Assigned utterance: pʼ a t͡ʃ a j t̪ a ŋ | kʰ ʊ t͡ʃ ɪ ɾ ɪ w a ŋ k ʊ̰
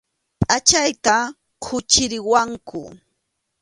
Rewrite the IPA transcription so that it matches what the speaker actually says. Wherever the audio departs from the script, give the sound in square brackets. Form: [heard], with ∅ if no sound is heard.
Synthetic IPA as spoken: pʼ a t͡ʃ a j t̪ a [∅] | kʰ ʊ t͡ʃ ɪ ɾ ɪ w a ŋ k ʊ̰